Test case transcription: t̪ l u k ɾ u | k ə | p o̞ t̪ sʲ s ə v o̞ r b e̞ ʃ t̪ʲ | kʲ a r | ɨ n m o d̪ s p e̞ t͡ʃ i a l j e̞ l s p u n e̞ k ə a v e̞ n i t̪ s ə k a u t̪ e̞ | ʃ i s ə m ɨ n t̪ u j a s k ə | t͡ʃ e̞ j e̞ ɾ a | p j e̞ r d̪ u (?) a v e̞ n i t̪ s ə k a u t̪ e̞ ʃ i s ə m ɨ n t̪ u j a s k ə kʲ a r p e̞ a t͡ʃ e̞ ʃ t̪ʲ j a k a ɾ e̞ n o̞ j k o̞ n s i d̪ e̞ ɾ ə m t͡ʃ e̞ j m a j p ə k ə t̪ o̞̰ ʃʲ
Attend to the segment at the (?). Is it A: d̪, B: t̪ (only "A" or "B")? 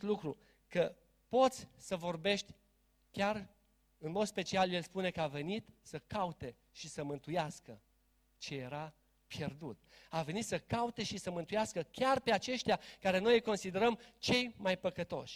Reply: B